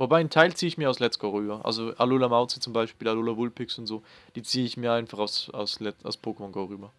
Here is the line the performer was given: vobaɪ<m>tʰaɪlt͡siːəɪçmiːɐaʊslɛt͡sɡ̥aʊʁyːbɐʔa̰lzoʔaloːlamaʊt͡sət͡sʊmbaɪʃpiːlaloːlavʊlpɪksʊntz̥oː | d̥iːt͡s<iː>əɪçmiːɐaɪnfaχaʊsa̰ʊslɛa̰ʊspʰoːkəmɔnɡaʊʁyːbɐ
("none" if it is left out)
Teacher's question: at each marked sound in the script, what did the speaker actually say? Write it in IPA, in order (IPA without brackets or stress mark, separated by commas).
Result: n, iː